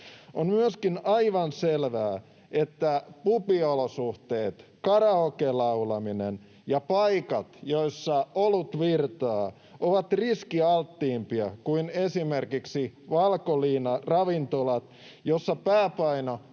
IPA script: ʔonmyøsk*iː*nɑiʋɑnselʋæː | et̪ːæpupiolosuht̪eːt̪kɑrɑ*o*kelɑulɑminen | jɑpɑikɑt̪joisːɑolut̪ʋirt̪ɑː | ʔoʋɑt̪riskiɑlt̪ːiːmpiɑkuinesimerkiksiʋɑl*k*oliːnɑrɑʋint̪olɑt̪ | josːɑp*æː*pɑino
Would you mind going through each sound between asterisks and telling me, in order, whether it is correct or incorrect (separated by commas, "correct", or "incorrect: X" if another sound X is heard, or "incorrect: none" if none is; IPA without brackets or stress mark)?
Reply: incorrect: i, correct, correct, correct